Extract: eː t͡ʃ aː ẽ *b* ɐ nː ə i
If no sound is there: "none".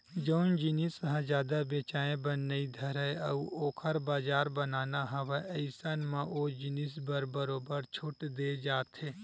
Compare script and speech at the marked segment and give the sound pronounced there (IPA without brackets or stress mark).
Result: b